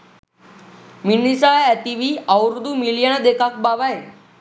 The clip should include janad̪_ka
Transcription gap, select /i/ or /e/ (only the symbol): e